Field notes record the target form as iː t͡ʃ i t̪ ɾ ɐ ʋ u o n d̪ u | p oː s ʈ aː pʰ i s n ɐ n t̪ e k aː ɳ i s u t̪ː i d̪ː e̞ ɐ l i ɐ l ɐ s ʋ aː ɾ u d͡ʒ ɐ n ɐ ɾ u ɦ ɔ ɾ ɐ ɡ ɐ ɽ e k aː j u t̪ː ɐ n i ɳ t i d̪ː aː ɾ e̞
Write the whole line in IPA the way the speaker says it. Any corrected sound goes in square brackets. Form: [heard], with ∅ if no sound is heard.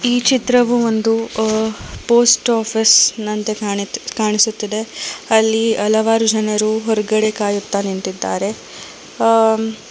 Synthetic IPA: iː t͡ʃ i t̪ ɾ ɐ ʋ u o n d̪ u | p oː s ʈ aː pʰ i s n ɐ n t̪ e k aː ɳ i s u t̪ː i [d̪] e̞ ɐ [lː] i ɐ l ɐ [∅] ʋ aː ɾ u d͡ʒ ɐ n ɐ ɾ u ɦ ɔ ɾ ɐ ɡ ɐ ɽ e k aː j u t̪ː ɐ n i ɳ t i d̪ː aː ɾ e̞